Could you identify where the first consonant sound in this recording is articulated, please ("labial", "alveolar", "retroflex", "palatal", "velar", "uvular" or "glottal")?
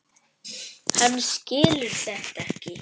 glottal